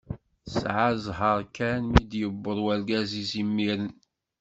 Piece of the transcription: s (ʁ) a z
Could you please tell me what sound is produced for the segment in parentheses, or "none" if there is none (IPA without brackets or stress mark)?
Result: ʕ